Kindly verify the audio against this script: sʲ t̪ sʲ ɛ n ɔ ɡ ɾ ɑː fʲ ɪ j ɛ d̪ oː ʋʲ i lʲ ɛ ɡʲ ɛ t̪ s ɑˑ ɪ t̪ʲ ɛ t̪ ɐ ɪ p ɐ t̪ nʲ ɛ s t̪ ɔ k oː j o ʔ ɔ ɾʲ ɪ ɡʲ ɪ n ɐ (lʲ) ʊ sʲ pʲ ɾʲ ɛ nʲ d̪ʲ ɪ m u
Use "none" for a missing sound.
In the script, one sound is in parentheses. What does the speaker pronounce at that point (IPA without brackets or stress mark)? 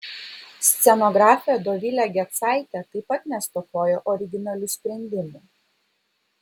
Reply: lʲ